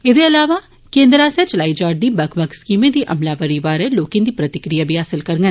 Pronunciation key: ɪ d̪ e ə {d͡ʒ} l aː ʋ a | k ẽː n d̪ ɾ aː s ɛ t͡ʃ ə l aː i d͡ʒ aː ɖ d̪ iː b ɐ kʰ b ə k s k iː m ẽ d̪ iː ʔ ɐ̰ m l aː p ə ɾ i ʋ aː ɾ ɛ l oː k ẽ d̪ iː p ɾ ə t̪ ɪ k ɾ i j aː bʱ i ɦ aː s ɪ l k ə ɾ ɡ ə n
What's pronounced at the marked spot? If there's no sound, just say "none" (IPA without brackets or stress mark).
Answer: none